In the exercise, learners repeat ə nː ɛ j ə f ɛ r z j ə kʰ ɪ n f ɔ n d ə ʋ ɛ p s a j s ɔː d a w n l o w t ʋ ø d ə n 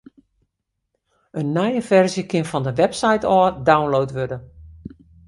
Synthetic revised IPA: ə nː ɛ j ə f ɛ r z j ə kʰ ɪ n f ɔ n d ə ʋ ɛ p s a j t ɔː d a w n l o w t ʋ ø d ə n